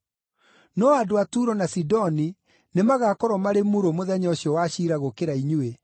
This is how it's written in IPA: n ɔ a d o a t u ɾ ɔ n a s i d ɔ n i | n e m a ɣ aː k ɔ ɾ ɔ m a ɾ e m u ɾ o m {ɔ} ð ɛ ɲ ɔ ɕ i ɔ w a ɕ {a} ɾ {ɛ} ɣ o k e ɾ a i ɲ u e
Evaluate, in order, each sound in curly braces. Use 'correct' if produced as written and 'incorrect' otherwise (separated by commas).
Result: incorrect, incorrect, incorrect